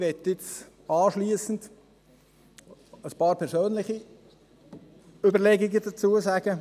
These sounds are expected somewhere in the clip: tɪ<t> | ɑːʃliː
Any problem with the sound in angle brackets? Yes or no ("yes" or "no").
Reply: yes